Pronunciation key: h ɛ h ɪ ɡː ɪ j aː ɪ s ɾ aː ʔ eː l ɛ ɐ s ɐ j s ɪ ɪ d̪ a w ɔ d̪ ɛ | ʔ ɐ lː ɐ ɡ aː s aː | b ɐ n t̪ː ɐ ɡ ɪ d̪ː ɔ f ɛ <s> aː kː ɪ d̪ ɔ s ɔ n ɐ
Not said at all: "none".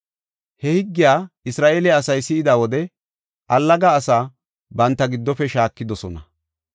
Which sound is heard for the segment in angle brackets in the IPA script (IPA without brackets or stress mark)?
ʃ